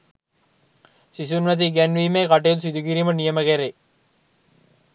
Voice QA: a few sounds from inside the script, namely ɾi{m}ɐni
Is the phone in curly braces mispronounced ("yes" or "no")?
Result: no